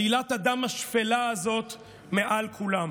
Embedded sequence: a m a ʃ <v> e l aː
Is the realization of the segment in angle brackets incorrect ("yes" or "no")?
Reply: yes